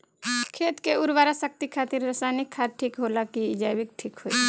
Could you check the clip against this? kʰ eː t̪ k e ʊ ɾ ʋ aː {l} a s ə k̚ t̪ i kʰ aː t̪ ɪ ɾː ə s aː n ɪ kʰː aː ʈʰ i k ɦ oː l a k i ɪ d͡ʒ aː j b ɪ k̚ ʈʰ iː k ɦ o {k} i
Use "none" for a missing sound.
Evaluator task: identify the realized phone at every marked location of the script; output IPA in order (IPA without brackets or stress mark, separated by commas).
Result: ɾ, none